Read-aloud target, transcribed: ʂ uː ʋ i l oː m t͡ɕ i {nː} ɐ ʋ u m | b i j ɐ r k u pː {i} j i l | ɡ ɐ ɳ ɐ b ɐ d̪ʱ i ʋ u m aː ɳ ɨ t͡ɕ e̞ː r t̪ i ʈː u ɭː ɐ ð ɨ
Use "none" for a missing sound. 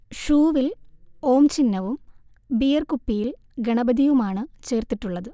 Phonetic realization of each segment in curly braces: nː, i

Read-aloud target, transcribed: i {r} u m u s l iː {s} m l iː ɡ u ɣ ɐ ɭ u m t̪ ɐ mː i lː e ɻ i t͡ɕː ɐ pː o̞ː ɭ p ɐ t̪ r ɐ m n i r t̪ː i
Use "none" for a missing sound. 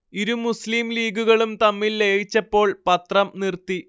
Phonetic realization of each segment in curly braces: ɾ, none

